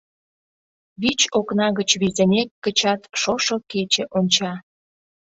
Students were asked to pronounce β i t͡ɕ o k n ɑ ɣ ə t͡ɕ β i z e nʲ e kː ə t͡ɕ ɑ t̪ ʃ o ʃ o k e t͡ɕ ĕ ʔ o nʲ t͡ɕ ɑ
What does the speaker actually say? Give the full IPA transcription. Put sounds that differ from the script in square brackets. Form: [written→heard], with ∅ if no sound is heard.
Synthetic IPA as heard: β i t͡ɕ o k n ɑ ɣ ə t͡ɕ β i z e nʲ e kː ə t͡ɕ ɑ t̪ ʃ o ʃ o k e t͡ɕ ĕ ʔ o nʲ t͡ɕ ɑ